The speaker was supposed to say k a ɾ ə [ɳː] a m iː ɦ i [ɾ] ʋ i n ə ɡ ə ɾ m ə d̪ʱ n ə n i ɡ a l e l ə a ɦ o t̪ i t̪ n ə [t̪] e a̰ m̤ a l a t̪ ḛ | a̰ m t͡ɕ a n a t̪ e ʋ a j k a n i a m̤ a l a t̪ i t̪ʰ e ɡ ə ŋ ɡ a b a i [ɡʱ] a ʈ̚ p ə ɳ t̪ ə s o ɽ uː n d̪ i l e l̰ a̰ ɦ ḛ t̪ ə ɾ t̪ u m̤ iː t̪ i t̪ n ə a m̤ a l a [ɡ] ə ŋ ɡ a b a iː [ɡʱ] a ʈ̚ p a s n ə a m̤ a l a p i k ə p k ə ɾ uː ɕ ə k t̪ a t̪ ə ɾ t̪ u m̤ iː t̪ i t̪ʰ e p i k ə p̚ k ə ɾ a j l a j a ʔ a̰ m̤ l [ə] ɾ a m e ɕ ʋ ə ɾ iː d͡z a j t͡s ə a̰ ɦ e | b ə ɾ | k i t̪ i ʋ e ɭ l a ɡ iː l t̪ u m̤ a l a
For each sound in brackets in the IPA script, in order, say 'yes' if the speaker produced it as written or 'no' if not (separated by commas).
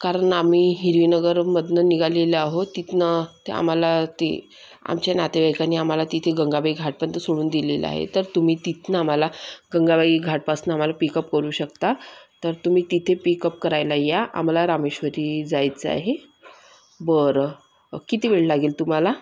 no, yes, yes, yes, yes, yes, no